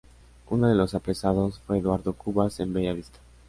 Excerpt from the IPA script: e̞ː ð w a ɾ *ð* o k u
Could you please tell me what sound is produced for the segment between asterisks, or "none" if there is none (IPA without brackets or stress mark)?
ð